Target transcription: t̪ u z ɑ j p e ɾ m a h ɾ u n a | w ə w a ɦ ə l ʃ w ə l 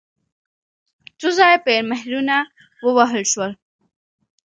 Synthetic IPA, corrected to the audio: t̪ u z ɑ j p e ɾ m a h ɾ u n a | w ə w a ɦ ə l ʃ w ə l